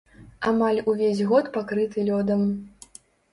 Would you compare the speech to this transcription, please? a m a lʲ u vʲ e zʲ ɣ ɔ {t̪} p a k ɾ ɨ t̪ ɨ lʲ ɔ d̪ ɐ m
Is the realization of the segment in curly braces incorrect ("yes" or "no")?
no